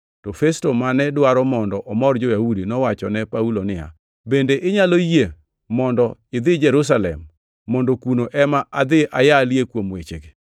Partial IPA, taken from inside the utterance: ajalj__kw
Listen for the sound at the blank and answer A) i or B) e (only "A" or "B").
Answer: B